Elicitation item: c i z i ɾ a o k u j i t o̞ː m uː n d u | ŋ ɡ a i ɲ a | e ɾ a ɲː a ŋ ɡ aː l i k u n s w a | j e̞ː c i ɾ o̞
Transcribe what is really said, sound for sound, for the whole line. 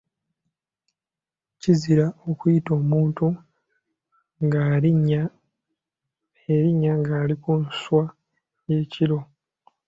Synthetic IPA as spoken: c i z i ɾ a o k u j i t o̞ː m uː n t u | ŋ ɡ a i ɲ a | e ɾ i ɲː a ŋ ɡ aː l i k u n s w a | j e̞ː c i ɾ o̞

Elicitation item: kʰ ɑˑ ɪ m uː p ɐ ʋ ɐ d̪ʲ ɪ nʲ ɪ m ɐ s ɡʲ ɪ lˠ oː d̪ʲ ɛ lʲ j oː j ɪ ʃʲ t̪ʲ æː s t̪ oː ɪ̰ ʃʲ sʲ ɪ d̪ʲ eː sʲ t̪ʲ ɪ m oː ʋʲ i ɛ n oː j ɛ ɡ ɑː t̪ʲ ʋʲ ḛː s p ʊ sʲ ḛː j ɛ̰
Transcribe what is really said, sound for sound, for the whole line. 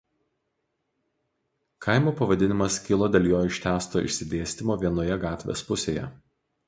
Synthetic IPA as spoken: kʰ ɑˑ ɪ m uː p ɐ ʋ ɐ d̪ʲ ɪ nʲ ɪ m ɐ s kʲ ɪ lˠ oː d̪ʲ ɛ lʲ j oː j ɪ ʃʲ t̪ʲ æː s t̪ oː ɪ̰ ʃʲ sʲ ɪ d̪ʲ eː sʲ t̪ʲ ɪ m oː ʋʲ i ɛ n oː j ɛ ɡ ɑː t̪ʲ ʋʲ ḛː s p ʊ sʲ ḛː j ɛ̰

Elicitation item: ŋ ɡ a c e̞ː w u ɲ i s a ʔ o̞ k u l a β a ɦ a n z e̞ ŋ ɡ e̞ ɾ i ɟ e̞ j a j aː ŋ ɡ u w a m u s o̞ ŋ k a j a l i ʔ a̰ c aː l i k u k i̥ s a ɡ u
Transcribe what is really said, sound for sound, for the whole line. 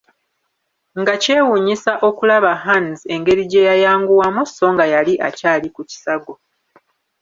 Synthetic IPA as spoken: ŋ ɡ a c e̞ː w u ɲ i s a ʔ o̞ k u l a β a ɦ a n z e̞ ŋ ɡ e̞ ɾ i ɟ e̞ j a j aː ŋ ɡ u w a m u s o̞ ŋ ɡ a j a l i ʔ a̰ c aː l i k u c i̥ s a ɡ o

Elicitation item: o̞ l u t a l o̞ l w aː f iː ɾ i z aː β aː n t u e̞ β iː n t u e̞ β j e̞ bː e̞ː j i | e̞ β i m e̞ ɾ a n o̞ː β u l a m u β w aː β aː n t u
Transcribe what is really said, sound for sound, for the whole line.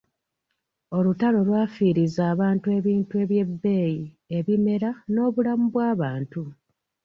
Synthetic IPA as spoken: o̞ l u t a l o̞ l w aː f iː ɾ i z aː β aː n t u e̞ β iː n t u e̞ β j e̞ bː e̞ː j i | e̞ β i m e̞ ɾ a n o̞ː β u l a m u β w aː β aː n t u

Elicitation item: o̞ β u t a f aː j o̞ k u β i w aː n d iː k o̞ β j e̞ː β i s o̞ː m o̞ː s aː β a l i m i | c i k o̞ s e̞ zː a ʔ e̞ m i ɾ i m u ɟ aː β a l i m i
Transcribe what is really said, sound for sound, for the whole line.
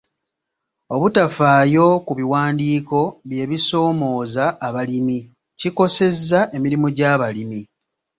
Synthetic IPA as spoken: o̞ β u t a f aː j o̞ k u β i w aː n d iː k o̞ β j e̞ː β i s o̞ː m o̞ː z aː β a l i m i | c i k o̞ s e̞ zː a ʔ e̞ m i ɾ i m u ɟ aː β a l i m i

